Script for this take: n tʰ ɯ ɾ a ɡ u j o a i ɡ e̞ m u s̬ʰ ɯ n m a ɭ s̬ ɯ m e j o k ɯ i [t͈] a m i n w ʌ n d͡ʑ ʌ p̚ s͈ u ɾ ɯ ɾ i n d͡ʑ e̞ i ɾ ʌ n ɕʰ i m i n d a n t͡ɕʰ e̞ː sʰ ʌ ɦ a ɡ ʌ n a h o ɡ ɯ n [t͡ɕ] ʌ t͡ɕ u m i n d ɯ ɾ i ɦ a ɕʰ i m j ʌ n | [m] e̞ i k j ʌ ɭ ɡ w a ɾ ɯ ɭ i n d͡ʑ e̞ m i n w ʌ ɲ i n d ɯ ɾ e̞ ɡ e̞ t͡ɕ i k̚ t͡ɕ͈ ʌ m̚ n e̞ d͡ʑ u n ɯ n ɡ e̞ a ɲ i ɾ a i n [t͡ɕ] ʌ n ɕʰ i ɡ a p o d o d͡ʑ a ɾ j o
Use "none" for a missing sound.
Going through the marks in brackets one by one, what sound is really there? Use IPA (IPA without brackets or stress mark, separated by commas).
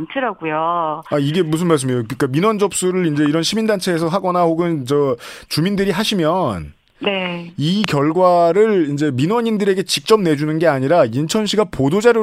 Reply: k͈, t͡ɕ, n, t͡ɕʰ